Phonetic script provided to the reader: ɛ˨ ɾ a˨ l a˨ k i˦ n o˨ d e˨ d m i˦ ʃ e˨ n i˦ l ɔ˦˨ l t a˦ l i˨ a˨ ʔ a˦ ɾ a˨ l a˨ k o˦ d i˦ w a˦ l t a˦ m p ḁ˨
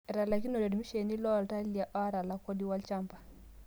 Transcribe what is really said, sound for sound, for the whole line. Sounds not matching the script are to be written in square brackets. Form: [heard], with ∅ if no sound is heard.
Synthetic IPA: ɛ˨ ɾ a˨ l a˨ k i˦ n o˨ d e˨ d m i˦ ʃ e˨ n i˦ l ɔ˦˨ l t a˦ l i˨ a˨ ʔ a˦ ɾ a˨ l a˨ k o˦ d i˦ w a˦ l [t͡ʃ] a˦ m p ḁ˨